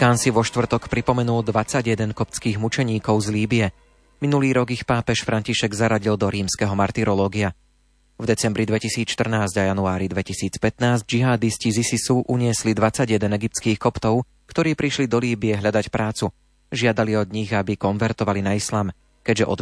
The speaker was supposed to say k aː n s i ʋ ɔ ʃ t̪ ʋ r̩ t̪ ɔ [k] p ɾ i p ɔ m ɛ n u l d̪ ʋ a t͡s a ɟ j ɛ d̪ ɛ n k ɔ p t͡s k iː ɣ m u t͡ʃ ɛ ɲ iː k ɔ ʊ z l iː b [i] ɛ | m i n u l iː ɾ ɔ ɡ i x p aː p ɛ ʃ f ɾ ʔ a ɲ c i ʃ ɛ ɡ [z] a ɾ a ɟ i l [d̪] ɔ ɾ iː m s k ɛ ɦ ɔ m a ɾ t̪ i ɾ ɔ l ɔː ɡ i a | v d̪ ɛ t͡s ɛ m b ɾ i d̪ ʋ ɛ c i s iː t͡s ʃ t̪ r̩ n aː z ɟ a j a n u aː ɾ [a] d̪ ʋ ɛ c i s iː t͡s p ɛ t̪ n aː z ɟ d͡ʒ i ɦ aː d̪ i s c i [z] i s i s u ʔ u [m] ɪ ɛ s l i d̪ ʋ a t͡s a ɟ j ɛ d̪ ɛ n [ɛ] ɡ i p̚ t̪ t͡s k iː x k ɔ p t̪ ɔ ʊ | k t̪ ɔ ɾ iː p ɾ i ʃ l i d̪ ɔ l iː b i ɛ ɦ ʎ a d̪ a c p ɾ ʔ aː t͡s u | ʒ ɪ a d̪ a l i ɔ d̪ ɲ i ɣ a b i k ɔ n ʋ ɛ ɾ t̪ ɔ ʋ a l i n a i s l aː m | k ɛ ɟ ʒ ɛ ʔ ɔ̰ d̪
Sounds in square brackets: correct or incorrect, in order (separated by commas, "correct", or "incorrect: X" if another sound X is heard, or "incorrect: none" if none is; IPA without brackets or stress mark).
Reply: correct, correct, correct, correct, incorrect: i, correct, incorrect: ɲ, correct